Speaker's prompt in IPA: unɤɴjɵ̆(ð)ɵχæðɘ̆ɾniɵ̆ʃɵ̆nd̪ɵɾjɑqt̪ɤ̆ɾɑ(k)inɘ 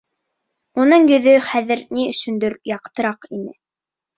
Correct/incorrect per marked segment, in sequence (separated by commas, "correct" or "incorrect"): correct, incorrect